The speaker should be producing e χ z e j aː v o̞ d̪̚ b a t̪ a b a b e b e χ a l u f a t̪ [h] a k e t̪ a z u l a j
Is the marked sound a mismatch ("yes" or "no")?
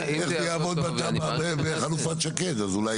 yes